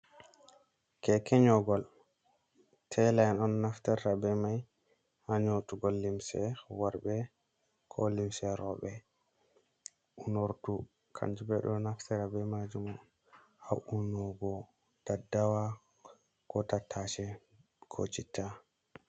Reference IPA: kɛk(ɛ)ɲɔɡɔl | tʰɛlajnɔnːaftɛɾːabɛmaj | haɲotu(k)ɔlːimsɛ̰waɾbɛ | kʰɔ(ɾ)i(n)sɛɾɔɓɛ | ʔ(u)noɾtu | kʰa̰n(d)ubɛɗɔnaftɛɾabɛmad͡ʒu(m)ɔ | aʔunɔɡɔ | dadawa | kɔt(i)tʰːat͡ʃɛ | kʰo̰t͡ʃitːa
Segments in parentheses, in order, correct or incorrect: correct, incorrect: ɡ, incorrect: l, incorrect: m, correct, incorrect: d͡ʒ, correct, incorrect: a

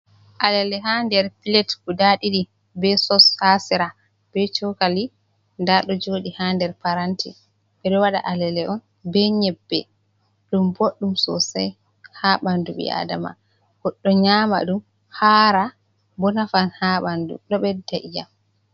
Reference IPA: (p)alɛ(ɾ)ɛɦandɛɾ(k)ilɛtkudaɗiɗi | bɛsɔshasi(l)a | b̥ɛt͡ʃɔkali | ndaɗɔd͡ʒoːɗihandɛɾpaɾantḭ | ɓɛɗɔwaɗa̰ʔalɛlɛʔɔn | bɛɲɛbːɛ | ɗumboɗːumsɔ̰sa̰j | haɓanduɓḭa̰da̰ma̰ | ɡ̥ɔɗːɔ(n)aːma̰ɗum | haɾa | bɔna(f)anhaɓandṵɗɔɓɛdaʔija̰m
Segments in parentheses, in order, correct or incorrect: incorrect: ʔ, incorrect: l, incorrect: p, incorrect: ɾ, incorrect: ɲ, correct

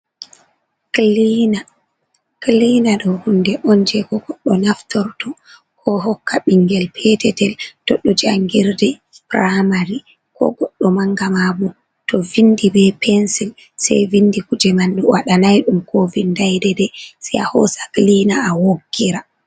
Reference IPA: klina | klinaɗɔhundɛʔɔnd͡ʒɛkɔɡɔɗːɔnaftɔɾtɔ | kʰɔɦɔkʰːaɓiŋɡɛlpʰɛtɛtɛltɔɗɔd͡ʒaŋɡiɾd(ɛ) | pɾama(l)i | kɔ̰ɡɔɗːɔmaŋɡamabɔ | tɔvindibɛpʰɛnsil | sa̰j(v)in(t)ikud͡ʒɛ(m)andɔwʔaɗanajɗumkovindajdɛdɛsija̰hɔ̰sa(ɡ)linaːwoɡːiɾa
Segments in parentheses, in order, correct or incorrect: correct, incorrect: ɾ, correct, incorrect: d, correct, incorrect: k

